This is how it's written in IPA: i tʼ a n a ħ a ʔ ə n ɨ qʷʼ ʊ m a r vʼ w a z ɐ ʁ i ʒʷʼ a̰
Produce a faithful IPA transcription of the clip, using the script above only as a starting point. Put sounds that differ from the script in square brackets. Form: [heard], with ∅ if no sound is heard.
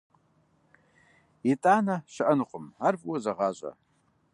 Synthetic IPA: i tʼ a n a [ʃ] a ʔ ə n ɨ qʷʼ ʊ m a r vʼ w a z [a] ʁ [a] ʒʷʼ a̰

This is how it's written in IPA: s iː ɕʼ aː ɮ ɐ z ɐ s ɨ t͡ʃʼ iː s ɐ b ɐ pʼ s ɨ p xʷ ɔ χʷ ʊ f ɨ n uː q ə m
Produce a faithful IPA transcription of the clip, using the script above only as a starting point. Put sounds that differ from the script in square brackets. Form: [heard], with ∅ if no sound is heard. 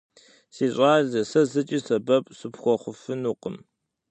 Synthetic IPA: s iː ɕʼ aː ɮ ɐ [s] ɐ [z] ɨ t͡ʃʼ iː s ɐ b ɐ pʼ s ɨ p xʷ ɔ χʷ ʊ f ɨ n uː q ə m

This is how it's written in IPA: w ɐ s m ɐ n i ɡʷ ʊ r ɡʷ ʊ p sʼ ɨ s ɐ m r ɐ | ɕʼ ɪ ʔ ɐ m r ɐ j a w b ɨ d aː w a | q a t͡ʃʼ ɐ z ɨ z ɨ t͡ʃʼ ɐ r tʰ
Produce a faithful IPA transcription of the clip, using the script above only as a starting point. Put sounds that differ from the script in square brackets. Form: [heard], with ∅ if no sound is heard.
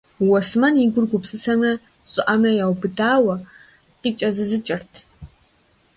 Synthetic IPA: w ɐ s m ɐ n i ɡʷ ʊ r ɡʷ ʊ p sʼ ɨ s ɐ m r ɐ | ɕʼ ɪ ʔ ɐ m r ɐ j a w b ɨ d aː w [ɐ] | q [i] t͡ʃʼ ɐ z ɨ z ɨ t͡ʃʼ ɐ r tʰ

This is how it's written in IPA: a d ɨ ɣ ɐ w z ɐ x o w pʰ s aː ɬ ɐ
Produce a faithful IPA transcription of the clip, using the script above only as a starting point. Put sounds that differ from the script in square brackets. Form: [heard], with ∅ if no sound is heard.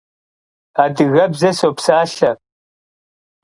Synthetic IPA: a d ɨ ɣ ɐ [b] z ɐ [s] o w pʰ s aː ɬ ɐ

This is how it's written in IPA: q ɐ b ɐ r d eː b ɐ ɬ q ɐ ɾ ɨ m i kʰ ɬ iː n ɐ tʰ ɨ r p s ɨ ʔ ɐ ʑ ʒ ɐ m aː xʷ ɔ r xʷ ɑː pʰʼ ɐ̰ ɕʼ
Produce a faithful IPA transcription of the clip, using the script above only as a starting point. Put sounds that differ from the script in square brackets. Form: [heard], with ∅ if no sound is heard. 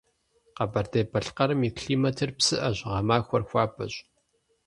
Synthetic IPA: q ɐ b ɐ r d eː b ɐ ɬ q ɐ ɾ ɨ m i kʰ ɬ iː [m] ɐ tʰ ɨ r p s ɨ ʔ ɐ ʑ [ʁ] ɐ m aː xʷ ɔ r xʷ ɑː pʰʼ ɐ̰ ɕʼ

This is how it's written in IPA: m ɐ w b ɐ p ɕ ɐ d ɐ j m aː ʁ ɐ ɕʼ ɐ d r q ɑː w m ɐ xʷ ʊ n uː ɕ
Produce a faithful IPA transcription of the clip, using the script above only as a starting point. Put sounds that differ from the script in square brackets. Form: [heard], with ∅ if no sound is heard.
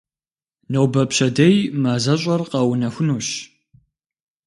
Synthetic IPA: [n] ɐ w b ɐ p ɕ ɐ d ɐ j m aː [z] ɐ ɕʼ ɐ [∅] r q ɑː w [n] ɐ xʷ ʊ n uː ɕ

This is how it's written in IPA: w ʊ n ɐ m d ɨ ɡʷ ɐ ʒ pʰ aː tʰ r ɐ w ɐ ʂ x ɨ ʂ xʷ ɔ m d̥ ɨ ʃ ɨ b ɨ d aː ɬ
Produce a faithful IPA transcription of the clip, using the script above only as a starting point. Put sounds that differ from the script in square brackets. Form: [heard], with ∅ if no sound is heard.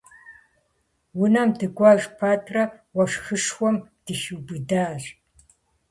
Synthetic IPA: w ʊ n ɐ m d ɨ ɡʷ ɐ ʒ pʰ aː tʰ r ɐ w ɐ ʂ x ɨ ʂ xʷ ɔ m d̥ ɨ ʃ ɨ b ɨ d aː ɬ

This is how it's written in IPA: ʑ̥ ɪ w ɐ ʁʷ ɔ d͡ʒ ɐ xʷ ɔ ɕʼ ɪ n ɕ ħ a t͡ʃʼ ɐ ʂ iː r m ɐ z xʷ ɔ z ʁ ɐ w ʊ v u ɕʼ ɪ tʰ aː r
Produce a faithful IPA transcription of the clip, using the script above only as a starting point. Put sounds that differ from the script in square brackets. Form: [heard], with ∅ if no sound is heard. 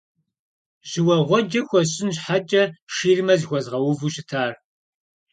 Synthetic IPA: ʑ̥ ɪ w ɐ ʁʷ ɔ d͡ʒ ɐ xʷ ɔ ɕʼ ɪ n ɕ ħ a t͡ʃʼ ɐ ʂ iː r m ɐ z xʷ ɔ z ʁ ɐ w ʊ v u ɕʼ ɪ tʰ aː r

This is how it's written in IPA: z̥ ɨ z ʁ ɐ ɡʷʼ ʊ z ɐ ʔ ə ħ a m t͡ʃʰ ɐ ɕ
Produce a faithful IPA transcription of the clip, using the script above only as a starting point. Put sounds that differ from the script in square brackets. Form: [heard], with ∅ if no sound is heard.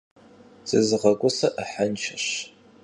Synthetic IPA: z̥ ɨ z ʁ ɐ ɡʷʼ ʊ [s] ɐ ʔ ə ħ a [n] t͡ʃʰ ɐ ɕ

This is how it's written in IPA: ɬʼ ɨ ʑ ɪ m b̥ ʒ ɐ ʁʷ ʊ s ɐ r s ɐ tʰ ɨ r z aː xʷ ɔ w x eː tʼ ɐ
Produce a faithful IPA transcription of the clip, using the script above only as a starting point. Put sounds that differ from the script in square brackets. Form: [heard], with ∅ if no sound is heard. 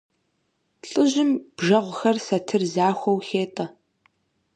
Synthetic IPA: ɬʼ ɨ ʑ ɪ m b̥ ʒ ɐ ʁʷ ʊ [x] ɐ r s ɐ tʰ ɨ r z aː xʷ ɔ w x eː tʼ ɐ

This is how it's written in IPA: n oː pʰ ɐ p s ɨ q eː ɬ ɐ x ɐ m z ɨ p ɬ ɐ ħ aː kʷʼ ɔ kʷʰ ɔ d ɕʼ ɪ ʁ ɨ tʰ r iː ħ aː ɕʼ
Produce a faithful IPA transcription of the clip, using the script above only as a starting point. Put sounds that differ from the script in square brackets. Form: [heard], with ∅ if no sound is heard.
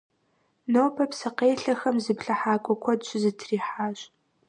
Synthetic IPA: n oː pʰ ɐ p s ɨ q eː ɬ ɐ x ɐ m z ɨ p ɬ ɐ ħ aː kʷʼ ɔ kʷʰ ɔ d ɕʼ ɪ [z] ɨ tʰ r iː ħ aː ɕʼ

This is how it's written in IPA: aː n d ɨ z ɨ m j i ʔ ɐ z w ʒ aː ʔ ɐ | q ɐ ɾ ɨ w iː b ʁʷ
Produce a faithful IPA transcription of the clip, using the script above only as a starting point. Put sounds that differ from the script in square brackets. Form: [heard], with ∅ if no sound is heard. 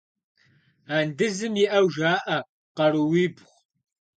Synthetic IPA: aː n d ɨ z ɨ m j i ʔ ɐ [∅] w ʒ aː ʔ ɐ | q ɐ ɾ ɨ w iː b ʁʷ

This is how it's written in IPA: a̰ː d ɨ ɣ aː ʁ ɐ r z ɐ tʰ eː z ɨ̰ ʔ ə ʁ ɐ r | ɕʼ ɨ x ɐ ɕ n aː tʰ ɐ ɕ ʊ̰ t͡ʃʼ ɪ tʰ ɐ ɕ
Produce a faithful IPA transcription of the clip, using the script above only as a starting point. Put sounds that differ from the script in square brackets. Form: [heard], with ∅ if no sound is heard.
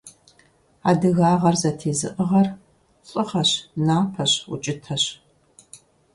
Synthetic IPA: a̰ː d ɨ ɣ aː ʁ ɐ r z ɐ tʰ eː z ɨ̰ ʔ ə ʁ ɐ r | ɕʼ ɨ [χ] ɐ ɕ n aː [pʰ] ɐ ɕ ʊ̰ t͡ʃʼ ɪ tʰ ɐ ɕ

